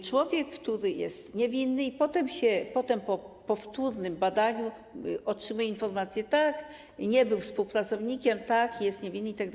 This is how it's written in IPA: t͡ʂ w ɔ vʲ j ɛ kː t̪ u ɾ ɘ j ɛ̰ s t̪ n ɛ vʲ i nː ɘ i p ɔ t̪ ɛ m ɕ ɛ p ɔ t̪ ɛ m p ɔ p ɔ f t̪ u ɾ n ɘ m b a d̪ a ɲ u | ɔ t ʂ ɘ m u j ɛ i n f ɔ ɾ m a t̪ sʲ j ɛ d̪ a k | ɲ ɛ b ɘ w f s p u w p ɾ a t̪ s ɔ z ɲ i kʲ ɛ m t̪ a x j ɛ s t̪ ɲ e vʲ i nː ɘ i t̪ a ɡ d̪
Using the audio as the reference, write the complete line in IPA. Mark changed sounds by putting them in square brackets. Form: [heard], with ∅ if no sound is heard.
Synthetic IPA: t͡ʂ w ɔ vʲ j ɛ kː t̪ u ɾ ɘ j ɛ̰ s t̪ [ɲ] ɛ vʲ i nː ɘ i p ɔ t̪ ɛ m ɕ ɛ p ɔ t̪ ɛ m p ɔ p ɔ f t̪ u ɾ n ɘ m b a d̪ a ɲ u | ɔ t ʂ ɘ m u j ɛ i n f ɔ ɾ m a t̪ sʲ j ɛ [t̪] a k | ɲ ɛ b ɘ w f s p u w p ɾ a t̪ s ɔ [v] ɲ i kʲ ɛ m t̪ a [k] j ɛ s t̪ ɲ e vʲ i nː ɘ i t̪ a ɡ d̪